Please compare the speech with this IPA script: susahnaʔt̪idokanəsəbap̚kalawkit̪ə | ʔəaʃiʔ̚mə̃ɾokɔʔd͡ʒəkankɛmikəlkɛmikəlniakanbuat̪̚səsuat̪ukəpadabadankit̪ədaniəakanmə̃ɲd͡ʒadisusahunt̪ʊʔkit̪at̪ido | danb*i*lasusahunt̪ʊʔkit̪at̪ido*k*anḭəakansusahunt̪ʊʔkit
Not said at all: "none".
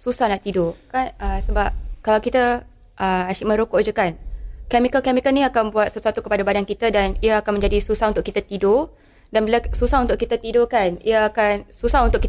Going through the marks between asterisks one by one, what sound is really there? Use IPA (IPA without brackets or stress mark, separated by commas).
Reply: i, k